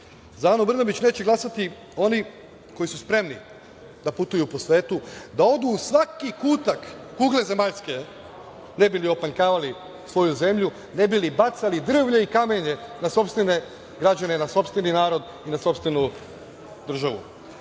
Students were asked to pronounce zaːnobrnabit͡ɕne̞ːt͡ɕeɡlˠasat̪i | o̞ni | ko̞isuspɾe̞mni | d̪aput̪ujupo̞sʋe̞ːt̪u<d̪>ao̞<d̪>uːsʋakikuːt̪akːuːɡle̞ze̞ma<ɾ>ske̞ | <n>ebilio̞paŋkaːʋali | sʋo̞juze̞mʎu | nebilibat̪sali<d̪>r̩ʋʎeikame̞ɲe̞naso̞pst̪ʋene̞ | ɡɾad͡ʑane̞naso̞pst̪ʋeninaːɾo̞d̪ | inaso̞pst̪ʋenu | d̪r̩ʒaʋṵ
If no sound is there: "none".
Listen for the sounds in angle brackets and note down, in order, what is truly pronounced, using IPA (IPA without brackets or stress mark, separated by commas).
d̪, d̪, ʎ, n, d̪